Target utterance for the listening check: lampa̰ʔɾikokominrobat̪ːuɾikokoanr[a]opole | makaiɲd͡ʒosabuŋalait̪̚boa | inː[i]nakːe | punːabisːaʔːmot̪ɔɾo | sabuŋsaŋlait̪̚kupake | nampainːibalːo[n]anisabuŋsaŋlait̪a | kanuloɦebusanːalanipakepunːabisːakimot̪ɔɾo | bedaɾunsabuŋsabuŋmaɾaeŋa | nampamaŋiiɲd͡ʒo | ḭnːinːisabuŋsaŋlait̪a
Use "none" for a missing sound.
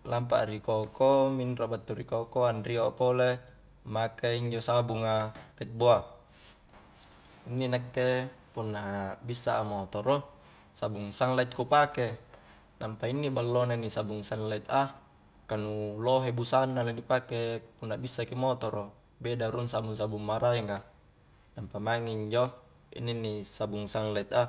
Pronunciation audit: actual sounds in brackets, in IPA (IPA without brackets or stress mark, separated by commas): i, i, n